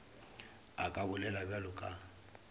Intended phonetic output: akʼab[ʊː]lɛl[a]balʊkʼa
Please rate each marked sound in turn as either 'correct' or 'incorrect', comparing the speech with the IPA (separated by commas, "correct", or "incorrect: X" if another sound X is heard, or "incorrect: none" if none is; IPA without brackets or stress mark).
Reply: incorrect: ʊ, correct